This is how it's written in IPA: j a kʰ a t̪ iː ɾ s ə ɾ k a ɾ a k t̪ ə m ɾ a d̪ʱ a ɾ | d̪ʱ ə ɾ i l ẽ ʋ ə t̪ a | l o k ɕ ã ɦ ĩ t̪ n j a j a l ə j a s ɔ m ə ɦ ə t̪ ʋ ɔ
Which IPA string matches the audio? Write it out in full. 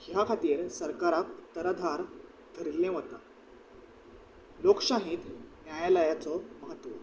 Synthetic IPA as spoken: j a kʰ a t̪ iː ɾ s ə ɾ k a ɾ a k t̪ ə ɾ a d̪ʱ a ɾ | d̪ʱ ə ɾ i l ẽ ʋ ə t̪ a | l o k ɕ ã ɦ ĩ t̪ n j a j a l ə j a t͡s ɔ m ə ɦ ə t̪ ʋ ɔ